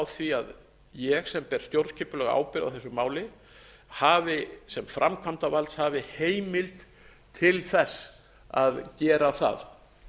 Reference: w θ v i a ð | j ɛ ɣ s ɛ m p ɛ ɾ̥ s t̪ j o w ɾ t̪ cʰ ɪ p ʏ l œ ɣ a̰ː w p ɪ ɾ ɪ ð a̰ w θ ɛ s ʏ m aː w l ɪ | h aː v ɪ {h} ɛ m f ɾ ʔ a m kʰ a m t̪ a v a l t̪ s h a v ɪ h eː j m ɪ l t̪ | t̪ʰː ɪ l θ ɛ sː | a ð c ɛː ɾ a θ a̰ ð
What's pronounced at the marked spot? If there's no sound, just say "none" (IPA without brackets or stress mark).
s